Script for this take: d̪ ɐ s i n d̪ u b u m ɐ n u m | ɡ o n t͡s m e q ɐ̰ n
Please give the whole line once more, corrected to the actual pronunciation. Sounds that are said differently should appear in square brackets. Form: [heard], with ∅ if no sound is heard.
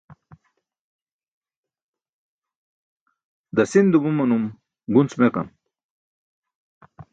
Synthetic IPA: d̪ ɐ s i n d̪ u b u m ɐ n u m | ɡ [u] n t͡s m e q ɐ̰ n

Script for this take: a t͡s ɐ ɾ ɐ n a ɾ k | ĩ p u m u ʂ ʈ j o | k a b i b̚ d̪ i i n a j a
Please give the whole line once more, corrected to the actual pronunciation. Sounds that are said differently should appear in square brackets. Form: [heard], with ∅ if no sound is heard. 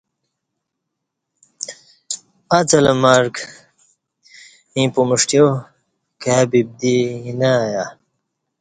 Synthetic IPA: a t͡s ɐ [l] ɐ [m] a ɾ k | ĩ p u m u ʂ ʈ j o | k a b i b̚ d̪ i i n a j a

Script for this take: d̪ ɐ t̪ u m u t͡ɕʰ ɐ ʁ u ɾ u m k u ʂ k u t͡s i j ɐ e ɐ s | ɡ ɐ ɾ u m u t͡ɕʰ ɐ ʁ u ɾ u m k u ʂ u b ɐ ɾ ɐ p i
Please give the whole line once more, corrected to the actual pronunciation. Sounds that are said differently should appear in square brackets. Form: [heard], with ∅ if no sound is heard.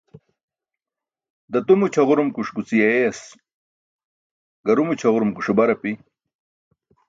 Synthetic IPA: d̪ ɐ t̪ u m u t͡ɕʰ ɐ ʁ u ɾ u m k u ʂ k u t͡s i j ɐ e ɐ s | ɡ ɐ ɾ u m u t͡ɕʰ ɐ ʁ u ɾ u m k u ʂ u b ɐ ɾ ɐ p i

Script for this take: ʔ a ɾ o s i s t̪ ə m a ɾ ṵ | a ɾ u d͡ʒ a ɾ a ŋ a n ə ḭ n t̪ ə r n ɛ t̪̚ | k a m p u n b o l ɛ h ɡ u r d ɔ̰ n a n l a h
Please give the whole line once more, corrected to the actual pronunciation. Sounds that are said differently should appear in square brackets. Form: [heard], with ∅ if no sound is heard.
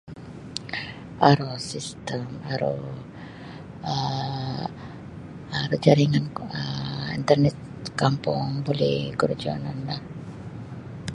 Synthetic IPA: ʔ a ɾ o s i s t̪ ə m a ɾ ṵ | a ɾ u d͡ʒ a ɾ [i] ŋ a n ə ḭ n t̪ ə r n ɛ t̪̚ | k a m p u [ŋ] b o l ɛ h ɡ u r [d͡ʒ] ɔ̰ n a n l a h

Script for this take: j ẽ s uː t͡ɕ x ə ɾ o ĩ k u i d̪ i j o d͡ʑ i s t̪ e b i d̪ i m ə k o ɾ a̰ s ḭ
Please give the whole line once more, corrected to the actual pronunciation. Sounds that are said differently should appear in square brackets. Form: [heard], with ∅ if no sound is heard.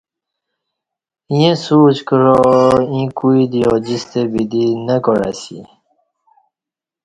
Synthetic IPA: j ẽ s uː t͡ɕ [k] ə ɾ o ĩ k u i d̪ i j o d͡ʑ i s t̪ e b i d̪ i [n] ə k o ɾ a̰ s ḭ

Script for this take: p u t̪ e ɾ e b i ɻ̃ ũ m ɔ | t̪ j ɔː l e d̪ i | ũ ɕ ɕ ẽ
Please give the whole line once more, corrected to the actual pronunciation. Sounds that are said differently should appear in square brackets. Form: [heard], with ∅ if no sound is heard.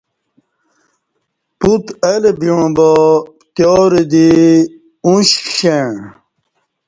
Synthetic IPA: p u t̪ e [l] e b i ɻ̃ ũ [b] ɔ | t̪ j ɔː [ɾ] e d̪ i | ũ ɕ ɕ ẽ

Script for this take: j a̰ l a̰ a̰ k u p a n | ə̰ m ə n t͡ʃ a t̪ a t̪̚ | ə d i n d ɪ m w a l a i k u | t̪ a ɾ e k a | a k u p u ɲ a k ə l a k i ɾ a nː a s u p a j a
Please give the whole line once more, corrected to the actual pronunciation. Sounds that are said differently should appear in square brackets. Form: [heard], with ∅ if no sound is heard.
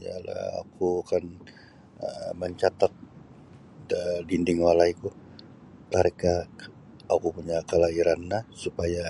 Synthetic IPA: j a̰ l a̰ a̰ k u [k] a n | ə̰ m ə [ɲ] t͡ʃ a t̪ a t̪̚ | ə d i n d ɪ [ŋ] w a l a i k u | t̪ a ɾ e k a | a k u p u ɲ a k ə l a [∅] i ɾ a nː a s u p a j a

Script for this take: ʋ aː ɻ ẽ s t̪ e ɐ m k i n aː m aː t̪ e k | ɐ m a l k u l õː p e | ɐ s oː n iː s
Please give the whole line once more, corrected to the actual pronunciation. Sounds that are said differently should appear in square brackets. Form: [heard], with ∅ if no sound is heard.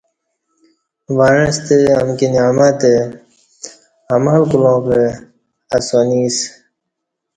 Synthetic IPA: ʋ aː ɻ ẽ s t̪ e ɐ m k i n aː m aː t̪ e [∅] | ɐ m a l k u l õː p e | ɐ s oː n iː s

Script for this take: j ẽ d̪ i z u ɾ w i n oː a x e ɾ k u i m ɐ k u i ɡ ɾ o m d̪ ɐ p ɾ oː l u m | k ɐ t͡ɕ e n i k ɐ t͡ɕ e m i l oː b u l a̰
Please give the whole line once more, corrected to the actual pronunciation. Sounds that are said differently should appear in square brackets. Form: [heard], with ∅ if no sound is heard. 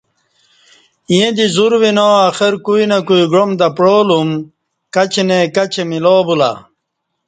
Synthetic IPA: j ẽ d̪ i z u ɾ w i n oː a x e ɾ k u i [n] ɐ k u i ɡ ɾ o m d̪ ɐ p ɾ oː l u m | k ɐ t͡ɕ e n [e] k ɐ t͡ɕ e m i l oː b u l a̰

